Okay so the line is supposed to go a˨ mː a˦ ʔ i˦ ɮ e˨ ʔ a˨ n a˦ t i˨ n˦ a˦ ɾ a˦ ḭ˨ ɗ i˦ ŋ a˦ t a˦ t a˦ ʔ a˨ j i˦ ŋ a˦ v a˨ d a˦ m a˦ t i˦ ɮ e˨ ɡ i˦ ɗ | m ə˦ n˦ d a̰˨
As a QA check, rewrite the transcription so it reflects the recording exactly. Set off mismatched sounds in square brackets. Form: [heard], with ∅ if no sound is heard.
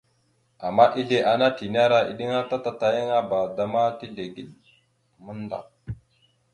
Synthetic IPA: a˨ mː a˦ ʔ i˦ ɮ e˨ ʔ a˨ n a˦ t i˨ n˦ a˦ ɾ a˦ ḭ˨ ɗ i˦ ŋ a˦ t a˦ t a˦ [t] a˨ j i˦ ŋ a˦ [b] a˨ d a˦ m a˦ t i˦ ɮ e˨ ɡ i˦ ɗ | m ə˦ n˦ d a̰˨